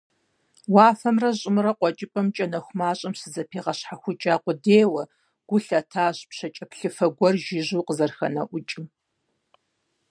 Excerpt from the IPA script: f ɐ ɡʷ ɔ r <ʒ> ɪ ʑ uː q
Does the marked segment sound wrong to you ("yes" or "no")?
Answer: no